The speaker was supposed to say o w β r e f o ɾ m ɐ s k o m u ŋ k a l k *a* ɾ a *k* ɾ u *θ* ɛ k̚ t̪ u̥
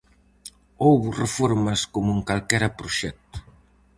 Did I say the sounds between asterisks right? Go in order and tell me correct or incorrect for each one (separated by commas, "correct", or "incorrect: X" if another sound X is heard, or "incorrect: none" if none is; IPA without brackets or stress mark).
incorrect: ɛ, incorrect: p, incorrect: ʃ